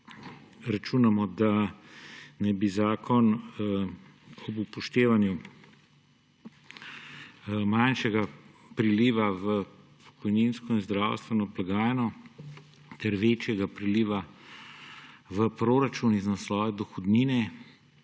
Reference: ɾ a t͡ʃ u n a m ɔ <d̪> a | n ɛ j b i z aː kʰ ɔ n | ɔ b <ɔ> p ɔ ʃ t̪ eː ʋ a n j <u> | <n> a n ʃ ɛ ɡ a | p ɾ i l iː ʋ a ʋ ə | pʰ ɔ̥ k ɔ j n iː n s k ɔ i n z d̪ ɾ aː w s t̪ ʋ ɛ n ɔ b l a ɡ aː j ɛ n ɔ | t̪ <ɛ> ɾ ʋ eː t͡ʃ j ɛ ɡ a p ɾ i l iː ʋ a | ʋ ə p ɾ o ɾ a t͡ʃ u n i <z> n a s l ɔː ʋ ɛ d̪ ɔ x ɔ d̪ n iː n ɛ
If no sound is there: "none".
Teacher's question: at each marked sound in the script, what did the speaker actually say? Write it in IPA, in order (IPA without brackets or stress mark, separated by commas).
d̪, u, u, m, ɛ, z